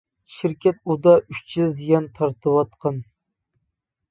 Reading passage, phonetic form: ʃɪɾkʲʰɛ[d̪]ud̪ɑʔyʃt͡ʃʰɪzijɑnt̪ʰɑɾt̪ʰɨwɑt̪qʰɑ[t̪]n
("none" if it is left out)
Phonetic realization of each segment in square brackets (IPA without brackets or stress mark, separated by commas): t̪, none